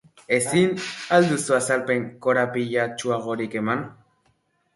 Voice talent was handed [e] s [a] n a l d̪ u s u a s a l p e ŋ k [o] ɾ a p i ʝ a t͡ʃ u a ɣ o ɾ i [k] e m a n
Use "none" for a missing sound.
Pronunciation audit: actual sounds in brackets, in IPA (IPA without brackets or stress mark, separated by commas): e, i, o, k